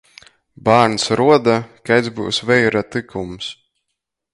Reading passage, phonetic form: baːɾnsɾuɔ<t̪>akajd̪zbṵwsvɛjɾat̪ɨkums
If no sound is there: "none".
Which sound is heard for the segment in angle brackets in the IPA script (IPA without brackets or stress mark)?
d̪